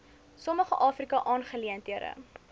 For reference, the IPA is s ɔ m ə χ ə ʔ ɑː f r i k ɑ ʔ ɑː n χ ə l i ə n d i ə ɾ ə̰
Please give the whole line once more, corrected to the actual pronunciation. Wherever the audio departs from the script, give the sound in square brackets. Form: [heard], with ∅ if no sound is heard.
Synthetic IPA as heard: s ɔ m ə χ ə ʔ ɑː f r i k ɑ ʔ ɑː n χ ə l i ə n [t] i ə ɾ ə̰